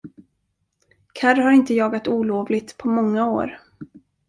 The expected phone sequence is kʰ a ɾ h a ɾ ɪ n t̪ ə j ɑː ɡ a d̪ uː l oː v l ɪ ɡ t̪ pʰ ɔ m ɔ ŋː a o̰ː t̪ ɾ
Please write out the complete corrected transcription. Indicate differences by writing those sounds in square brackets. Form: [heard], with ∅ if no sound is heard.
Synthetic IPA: kʰ a ɾ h a ɾ ɪ n t̪ ə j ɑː ɡ a [t̪] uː l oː v l ɪ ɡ t̪ pʰ ɔ m ɔ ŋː a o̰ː [∅] ɾ